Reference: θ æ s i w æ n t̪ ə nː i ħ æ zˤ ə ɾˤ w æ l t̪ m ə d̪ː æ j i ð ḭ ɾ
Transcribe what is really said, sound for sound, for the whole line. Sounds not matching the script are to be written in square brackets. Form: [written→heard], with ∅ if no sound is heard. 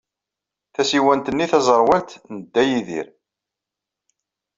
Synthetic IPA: θ æ s i w æ n t̪ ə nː i [ħ→θ] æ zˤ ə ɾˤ w æ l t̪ [m→n] ə d̪ː æ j i ð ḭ ɾ